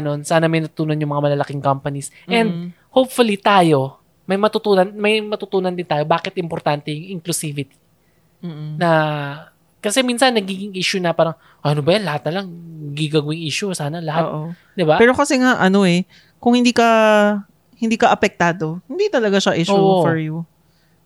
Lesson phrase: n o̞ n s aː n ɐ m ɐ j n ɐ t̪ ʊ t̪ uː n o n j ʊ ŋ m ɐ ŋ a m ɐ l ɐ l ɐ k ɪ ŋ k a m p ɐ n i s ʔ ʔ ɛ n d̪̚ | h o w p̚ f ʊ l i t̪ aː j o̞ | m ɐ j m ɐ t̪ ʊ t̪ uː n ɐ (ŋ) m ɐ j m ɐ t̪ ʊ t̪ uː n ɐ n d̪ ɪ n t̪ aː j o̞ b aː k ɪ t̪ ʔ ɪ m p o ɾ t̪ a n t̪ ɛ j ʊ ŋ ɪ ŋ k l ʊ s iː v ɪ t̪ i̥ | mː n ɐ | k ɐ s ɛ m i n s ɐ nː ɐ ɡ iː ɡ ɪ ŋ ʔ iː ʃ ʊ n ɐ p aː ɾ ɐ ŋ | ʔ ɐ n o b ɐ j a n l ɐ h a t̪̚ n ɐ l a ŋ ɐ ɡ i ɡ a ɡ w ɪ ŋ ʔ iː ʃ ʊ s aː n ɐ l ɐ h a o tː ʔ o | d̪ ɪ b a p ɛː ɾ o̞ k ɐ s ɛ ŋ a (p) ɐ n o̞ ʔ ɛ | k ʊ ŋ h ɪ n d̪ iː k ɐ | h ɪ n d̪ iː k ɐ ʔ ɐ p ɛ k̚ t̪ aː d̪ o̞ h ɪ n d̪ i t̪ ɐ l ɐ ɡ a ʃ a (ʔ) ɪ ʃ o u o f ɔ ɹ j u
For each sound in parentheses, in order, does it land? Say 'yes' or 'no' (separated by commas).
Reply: no, no, yes